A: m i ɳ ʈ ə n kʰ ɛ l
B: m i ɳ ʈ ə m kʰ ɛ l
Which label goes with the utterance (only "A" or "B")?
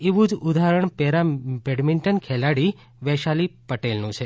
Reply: A